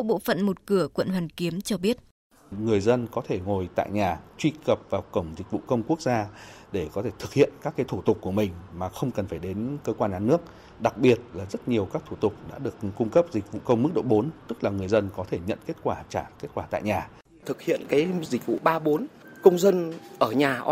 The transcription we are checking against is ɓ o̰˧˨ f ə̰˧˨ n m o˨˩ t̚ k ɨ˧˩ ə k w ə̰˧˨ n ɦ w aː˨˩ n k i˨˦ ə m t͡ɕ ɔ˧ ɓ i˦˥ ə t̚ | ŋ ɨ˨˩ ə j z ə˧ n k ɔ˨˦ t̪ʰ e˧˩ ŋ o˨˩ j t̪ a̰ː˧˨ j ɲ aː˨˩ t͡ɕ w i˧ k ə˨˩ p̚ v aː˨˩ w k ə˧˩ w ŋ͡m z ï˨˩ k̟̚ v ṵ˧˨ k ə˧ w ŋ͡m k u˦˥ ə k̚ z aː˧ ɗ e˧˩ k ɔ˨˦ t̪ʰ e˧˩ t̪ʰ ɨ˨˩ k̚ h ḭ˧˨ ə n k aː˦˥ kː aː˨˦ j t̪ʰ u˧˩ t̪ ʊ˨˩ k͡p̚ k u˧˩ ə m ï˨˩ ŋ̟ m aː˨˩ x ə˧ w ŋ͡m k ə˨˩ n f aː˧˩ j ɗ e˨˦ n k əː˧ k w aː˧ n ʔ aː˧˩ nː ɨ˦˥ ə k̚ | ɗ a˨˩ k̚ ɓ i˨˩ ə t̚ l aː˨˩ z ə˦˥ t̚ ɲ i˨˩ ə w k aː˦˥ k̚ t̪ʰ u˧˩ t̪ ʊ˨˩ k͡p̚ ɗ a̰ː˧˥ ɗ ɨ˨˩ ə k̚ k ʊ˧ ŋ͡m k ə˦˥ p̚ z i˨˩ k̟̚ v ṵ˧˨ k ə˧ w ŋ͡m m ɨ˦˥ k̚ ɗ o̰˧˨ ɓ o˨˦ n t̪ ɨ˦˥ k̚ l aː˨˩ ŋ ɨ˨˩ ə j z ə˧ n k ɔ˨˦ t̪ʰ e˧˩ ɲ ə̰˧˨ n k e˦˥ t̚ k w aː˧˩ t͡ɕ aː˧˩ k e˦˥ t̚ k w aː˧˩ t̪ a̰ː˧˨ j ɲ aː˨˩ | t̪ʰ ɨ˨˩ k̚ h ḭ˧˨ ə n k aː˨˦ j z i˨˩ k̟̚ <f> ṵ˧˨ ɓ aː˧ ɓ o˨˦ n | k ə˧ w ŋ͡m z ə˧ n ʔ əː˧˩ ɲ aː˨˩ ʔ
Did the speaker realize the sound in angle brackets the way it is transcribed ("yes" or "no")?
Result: no